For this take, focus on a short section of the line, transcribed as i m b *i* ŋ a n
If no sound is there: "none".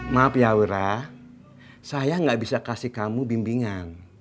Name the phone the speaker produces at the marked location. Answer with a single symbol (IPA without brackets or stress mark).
i